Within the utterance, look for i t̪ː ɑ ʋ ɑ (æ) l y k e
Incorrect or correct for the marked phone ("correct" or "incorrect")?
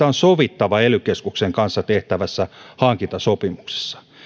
incorrect